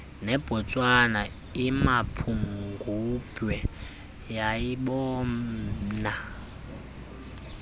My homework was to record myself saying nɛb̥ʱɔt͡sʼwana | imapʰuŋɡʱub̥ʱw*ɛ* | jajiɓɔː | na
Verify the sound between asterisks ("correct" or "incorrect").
correct